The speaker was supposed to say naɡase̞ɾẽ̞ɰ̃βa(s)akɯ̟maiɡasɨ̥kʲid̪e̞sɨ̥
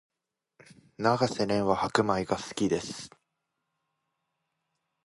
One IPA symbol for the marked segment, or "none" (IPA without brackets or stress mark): h